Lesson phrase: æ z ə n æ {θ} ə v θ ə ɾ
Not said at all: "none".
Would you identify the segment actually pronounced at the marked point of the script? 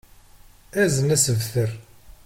s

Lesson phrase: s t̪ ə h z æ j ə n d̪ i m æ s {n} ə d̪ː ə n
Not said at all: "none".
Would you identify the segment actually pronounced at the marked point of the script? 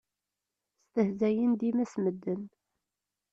m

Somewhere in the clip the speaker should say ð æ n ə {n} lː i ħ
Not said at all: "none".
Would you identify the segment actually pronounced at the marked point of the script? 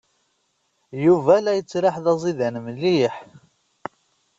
m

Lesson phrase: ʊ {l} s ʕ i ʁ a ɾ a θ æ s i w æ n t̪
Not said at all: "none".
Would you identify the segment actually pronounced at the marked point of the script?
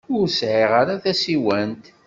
ɾ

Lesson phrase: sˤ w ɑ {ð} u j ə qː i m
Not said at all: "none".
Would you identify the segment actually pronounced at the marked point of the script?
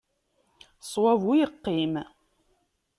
v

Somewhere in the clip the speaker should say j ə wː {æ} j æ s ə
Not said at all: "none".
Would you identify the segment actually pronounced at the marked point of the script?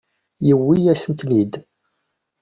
i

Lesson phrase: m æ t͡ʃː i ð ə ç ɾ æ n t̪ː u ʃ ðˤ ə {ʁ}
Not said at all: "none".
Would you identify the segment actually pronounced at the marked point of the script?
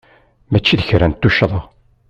ʁ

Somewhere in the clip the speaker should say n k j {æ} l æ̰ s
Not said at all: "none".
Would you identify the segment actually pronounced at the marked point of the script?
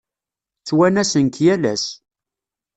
æ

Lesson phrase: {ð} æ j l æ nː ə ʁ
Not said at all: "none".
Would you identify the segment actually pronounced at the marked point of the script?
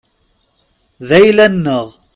ð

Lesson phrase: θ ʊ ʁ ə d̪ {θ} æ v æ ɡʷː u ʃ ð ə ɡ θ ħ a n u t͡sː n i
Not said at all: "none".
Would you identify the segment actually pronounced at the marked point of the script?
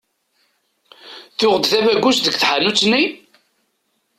θ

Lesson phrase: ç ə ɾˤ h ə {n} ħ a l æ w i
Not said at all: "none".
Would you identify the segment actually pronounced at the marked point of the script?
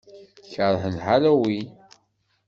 n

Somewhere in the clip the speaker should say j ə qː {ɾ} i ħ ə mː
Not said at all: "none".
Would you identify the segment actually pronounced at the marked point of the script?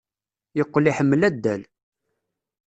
l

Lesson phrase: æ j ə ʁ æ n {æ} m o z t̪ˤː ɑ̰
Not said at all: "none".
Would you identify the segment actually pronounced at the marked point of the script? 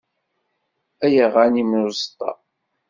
i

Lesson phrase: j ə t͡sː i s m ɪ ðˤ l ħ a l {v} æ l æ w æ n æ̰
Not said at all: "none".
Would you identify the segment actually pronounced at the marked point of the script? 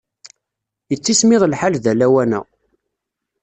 ð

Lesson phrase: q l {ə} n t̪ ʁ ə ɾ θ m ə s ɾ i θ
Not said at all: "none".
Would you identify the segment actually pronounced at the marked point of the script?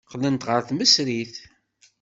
ə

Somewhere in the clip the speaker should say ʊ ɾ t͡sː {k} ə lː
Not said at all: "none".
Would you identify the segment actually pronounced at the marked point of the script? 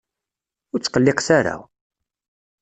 q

